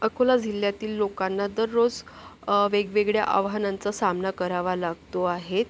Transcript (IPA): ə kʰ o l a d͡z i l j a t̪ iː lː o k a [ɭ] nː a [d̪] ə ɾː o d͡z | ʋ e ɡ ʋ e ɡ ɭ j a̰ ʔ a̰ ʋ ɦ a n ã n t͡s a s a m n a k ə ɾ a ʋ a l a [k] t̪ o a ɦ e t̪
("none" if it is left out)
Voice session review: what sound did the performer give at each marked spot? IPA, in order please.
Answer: none, d̪, ɡ

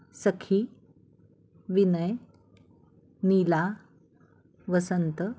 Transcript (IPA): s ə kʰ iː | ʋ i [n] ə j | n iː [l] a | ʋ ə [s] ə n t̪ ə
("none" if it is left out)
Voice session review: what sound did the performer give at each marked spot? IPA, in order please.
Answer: n, l, s

